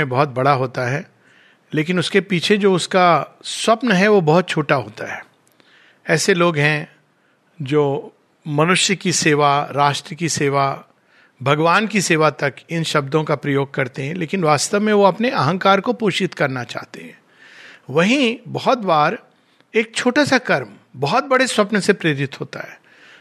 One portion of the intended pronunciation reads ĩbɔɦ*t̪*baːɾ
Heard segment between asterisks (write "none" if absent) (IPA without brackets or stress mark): t̪